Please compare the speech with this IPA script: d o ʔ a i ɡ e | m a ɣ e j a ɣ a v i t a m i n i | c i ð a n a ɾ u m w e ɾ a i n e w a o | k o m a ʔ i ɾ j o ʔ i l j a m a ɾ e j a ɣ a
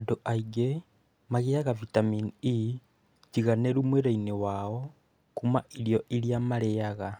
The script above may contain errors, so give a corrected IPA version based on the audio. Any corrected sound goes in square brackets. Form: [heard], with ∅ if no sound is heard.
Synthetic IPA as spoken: d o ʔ a i ɡ e | m a ɣ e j a ɣ a v i t a m i n i | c i [ɣ] a n [e] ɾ u m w e ɾ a i n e w a o | k [u] m a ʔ i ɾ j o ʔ i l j a m a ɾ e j a ɣ a